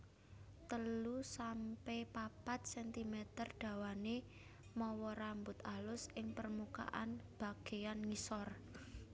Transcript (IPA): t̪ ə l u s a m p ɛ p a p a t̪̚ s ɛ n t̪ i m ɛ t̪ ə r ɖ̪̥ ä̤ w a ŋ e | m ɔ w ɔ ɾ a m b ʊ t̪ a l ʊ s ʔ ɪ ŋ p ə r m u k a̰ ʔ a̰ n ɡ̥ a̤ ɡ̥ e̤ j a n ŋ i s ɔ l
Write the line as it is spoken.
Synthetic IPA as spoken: t̪ ə l u s a m p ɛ p a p a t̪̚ s ɛ n t̪ i m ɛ t̪ ə r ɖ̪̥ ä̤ w a n e | m ɔ w ɔ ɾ a m b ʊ t̪ a l ʊ s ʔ ɪ ŋ p ə r m u k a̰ ʔ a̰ n b̥ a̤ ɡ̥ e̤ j a n ŋ i s ɔ r